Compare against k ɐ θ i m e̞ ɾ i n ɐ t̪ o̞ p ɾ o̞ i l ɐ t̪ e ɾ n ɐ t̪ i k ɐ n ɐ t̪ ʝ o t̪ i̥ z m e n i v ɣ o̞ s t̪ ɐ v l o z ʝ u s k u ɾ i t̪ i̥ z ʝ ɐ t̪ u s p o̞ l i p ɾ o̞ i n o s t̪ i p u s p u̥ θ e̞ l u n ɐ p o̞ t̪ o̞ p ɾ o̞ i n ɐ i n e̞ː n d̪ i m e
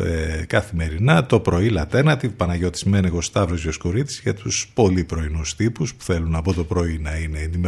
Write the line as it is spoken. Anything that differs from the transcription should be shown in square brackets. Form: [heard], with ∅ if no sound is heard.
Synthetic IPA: k ɐ θ i m e̞ ɾ i n ɐ t̪ o̞ p ɾ o̞ i l ɐ t̪ e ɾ n ɐ t̪ i [p] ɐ n ɐ [∅] ʝ o t̪ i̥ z m e n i [∅] ɣ o̞ s t̪ ɐ v [ɾ] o z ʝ [o] s k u ɾ i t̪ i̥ z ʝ ɐ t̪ u s p o̞ l i p ɾ o̞ i n [u] s t̪ i p u s p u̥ θ e̞ l u n ɐ p o̞ t̪ o̞ p ɾ o̞ i n ɐ i n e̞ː n d̪ i m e